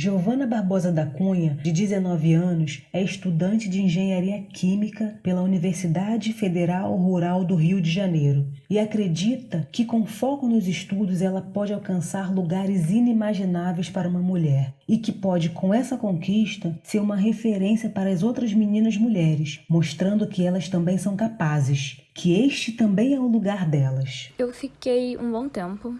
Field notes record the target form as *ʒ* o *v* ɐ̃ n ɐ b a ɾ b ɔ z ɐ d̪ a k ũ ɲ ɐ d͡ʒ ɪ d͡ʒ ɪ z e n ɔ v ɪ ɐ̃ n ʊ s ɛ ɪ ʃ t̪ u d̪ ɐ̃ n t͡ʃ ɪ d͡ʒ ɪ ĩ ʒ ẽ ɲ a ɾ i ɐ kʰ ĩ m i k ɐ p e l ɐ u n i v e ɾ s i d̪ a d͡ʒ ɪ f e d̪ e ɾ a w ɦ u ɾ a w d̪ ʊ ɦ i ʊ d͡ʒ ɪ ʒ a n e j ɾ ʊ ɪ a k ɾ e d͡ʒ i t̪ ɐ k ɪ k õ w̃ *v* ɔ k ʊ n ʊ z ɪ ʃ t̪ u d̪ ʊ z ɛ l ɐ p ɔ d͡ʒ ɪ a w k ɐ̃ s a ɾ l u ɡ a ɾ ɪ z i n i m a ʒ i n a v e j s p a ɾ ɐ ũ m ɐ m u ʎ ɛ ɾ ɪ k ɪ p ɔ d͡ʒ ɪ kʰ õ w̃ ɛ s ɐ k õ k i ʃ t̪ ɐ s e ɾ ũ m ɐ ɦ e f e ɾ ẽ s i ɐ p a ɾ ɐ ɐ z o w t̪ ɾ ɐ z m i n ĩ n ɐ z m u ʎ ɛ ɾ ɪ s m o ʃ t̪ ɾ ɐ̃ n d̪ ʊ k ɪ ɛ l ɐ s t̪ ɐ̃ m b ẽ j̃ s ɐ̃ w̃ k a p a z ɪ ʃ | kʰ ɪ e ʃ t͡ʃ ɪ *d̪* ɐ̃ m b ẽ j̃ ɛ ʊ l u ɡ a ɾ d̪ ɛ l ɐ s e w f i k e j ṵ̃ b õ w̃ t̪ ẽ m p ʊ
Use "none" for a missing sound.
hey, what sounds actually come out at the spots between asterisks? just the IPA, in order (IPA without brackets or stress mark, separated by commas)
ʒ, v, f, t̪